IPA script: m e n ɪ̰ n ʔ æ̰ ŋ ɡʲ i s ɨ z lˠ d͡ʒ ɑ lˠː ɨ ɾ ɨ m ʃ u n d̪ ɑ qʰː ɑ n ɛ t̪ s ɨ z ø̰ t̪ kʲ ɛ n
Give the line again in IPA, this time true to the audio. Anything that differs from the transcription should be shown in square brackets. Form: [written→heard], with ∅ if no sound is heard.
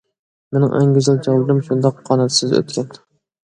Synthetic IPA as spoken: m e n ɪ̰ [n→ŋ] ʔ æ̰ ŋ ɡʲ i [s→z] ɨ [z→∅] lˠ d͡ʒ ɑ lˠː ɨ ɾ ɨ m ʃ u n d̪ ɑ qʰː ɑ n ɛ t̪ s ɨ z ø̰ t̪ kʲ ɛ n